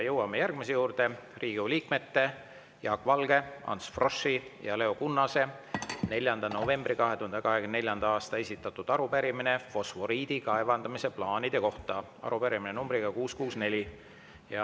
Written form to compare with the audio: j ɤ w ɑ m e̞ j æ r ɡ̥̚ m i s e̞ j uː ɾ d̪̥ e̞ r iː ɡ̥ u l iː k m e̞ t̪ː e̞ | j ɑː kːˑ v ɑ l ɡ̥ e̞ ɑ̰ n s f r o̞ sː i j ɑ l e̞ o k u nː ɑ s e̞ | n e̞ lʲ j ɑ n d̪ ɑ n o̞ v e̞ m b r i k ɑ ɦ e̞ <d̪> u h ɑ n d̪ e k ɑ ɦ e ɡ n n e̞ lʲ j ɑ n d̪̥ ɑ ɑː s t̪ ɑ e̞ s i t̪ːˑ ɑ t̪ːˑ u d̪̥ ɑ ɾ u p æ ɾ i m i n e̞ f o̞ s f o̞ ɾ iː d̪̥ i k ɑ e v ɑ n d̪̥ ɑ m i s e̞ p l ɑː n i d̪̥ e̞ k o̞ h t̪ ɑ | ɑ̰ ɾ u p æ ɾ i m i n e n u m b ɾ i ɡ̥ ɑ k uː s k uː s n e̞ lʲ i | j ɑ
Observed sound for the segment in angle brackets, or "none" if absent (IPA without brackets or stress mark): t̪